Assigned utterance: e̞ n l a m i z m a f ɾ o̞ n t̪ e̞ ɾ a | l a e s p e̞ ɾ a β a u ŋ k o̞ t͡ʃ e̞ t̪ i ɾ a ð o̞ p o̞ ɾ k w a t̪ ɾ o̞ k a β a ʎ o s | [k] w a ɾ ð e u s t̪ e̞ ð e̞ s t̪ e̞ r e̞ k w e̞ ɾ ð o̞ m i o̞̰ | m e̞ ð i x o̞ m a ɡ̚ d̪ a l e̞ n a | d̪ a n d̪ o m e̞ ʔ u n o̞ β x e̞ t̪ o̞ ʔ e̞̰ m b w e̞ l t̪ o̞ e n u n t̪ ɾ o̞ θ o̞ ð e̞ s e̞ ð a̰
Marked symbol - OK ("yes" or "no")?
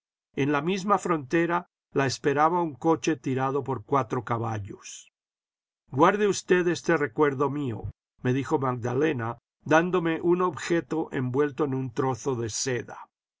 no